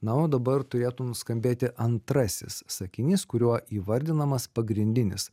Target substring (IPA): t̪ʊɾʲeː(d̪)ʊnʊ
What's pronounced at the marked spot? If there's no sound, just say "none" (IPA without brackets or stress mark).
t̪